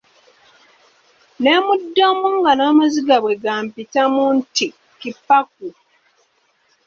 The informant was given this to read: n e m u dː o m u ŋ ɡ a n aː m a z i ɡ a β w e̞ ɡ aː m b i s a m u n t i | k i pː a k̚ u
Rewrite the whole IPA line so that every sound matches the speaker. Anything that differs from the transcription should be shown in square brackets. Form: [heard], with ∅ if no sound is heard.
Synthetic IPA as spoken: n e m u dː o m u ŋ ɡ a n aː m a z i ɡ a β w e̞ ɡ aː m [p] i [t] a m u n t i | k i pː a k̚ u